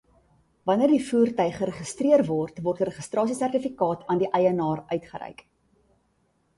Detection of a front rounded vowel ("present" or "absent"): present